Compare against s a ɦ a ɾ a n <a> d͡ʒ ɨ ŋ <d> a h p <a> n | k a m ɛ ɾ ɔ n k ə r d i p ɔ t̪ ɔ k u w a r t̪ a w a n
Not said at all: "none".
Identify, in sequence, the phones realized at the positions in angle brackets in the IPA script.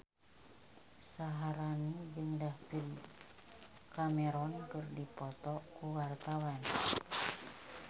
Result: i, d, i

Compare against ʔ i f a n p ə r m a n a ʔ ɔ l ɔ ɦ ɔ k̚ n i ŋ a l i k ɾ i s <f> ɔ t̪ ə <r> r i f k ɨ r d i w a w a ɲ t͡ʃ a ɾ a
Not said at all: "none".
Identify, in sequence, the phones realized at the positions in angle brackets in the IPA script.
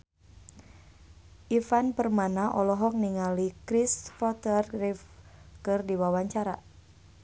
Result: f, r

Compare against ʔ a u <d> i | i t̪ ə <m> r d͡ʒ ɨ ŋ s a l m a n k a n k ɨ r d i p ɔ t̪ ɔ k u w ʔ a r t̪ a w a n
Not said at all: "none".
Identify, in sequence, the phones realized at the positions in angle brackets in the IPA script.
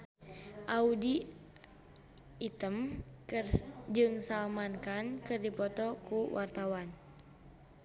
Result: d, m

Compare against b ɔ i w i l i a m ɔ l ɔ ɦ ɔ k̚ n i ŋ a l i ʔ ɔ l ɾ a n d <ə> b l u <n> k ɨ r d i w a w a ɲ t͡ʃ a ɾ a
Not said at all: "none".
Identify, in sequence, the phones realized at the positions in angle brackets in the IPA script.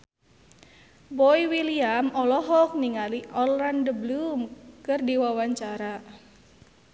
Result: ə, m

